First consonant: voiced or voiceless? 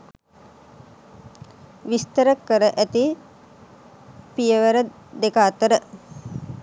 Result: voiced